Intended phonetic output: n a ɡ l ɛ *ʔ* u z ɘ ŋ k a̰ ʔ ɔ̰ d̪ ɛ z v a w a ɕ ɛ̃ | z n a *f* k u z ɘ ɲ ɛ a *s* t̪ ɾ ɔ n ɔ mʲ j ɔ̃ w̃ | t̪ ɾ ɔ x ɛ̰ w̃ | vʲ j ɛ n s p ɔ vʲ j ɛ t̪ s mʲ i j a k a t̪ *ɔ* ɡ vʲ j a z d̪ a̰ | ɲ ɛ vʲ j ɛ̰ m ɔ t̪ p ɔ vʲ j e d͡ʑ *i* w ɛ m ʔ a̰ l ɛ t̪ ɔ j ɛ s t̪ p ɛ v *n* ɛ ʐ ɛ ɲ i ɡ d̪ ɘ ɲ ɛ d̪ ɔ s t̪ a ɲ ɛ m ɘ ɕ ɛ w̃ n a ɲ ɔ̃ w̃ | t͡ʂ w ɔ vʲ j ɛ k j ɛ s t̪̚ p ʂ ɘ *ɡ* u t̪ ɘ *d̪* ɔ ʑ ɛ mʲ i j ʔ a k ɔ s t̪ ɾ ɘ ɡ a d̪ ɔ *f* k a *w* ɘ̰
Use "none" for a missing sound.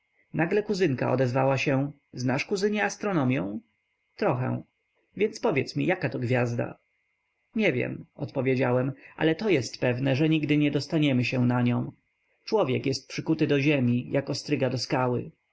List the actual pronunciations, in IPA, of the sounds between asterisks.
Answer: k, ʂ, s, ɔ, a, n, k, d̪, s, w

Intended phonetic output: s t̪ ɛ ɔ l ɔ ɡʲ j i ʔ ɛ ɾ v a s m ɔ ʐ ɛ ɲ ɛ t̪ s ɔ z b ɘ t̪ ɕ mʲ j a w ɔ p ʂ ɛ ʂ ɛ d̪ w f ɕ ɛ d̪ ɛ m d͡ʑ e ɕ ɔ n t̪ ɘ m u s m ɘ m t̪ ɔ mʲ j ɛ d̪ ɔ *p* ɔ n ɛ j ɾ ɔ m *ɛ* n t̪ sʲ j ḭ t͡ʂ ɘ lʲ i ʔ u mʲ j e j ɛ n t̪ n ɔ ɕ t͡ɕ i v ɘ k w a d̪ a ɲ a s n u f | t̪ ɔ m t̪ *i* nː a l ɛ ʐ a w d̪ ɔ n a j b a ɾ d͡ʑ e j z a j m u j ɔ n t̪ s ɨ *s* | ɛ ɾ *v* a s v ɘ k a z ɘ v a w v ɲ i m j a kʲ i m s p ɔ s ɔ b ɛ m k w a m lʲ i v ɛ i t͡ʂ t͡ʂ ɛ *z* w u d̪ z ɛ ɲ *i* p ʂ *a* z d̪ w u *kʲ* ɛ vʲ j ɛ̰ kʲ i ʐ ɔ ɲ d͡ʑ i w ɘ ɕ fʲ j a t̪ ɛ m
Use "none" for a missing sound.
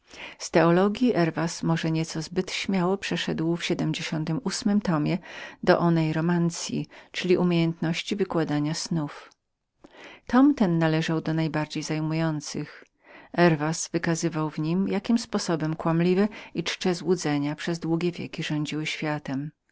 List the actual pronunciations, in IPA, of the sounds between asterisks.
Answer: ʔ, a, ɛ, x, v, z, a, ɛ, ɡʲ

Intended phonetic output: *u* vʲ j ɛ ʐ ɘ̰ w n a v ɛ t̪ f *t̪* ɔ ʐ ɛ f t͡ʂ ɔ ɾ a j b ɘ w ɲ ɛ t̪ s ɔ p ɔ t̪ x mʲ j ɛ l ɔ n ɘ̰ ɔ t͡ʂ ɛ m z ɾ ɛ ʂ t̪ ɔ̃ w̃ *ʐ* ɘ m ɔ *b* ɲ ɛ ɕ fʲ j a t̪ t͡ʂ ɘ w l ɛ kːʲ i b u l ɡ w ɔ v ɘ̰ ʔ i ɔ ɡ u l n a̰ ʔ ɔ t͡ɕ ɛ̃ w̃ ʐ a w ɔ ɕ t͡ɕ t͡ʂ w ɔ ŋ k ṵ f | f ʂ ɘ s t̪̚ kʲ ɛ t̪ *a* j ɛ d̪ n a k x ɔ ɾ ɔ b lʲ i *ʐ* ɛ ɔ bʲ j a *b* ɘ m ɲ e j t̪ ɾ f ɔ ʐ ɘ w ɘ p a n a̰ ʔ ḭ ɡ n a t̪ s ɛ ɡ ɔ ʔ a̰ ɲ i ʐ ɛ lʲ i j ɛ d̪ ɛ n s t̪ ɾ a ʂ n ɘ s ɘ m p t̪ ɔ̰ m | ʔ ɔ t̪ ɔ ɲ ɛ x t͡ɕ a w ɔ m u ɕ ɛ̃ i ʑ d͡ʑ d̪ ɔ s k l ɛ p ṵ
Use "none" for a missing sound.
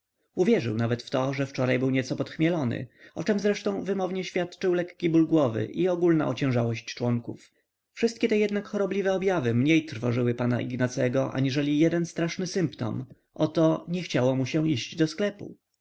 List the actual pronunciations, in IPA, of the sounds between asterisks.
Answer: u, t̪, v, v, ɛ, v, v

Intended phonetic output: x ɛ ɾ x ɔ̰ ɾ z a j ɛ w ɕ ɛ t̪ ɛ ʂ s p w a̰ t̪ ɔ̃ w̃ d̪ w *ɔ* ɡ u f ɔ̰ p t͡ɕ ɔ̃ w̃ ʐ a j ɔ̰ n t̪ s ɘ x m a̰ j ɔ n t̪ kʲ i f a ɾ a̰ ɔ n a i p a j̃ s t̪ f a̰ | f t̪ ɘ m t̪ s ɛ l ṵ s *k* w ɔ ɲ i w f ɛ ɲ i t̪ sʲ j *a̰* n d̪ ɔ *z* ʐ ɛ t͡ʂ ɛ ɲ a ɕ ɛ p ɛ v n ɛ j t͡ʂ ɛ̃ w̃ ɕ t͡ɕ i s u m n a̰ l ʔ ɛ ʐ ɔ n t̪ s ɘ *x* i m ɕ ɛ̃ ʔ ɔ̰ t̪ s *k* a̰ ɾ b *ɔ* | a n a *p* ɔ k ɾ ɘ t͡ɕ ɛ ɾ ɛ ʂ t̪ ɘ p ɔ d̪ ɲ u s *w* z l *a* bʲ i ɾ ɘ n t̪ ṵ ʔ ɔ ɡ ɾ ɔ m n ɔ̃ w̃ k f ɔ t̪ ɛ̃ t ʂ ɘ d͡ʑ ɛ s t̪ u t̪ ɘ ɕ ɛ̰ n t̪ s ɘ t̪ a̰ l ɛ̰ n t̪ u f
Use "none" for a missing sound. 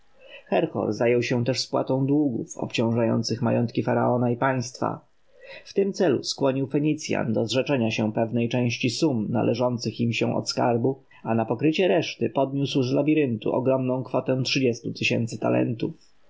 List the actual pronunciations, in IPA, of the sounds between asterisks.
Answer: u, k, a̰, z, x, k, u, p, w, a

